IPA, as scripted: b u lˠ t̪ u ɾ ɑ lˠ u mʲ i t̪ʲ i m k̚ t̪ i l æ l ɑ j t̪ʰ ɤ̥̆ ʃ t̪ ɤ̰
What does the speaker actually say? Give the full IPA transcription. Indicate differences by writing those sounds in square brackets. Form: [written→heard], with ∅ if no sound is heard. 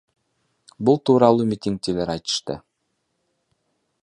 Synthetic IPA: b u lˠ t̪ u ɾ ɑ lˠ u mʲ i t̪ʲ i [m→ŋ] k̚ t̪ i l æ [l→ɾ] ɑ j [t̪ʰ→t̪] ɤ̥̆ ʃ t̪ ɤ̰